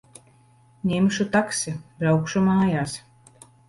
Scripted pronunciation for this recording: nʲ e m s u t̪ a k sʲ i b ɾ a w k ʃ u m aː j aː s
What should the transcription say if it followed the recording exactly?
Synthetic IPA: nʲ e m ʃ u t̪ a k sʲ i b ɾ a w k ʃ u m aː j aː s